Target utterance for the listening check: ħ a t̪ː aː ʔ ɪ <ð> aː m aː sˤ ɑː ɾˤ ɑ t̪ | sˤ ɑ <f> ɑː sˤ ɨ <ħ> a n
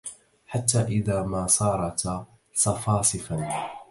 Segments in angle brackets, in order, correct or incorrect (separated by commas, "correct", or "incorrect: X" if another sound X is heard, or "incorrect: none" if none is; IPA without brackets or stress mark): correct, correct, incorrect: f